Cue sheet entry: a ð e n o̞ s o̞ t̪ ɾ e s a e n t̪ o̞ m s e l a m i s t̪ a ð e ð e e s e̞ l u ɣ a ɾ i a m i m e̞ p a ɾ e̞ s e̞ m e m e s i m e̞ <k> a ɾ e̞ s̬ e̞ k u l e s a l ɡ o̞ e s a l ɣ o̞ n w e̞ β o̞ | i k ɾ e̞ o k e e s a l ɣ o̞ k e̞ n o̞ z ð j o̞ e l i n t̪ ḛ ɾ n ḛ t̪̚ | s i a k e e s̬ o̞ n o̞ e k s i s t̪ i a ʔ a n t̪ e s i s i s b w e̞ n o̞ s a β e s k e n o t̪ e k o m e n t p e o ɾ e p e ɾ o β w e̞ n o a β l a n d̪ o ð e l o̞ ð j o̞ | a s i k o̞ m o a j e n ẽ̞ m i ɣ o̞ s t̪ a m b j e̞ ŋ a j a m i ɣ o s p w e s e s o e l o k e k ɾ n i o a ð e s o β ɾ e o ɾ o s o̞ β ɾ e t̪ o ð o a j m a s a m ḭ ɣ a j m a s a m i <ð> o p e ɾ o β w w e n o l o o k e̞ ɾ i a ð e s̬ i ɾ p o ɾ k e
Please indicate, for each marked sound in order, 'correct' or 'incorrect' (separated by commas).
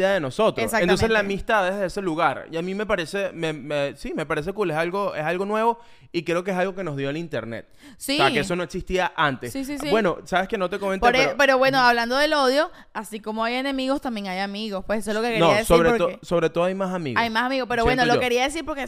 incorrect, incorrect